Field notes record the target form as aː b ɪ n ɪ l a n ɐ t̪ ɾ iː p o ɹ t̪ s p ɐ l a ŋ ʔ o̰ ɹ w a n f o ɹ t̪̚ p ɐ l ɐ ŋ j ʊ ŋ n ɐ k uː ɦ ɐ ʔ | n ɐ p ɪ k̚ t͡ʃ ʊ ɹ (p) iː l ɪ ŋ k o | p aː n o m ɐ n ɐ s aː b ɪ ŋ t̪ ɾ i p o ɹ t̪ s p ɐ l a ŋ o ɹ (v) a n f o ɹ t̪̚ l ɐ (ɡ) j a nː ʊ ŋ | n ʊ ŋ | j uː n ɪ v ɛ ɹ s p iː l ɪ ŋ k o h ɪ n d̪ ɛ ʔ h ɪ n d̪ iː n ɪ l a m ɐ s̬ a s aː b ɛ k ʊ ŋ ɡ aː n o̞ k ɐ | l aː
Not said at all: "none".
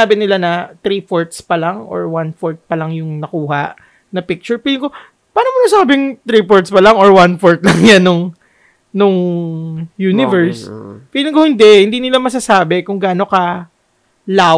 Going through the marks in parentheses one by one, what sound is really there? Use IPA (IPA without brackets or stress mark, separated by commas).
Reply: p, w, ŋ